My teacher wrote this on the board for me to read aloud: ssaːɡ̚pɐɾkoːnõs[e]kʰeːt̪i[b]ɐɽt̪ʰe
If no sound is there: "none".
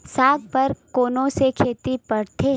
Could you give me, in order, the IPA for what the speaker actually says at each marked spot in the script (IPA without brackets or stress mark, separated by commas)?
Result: e, p